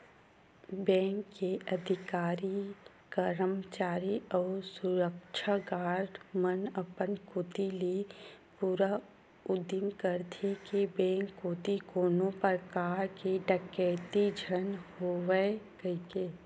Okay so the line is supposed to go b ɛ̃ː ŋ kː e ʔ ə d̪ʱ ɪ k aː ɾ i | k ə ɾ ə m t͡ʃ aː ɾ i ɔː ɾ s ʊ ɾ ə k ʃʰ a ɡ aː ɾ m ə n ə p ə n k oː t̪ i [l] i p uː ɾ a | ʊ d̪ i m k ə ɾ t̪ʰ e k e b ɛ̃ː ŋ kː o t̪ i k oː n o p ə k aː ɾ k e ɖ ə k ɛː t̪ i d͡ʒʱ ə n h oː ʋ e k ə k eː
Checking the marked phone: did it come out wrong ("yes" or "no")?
no